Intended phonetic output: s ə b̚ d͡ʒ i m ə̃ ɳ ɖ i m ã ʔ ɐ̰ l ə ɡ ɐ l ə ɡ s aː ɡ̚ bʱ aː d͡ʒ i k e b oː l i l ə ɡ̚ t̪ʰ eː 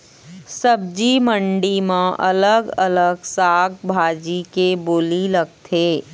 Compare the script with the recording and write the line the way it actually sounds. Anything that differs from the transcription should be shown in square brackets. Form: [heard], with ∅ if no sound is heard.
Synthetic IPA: s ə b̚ d͡ʒ i m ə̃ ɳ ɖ i m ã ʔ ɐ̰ l ə ɡ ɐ l ə ɡ s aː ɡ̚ bʱ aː d͡ʒ i k e b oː l i l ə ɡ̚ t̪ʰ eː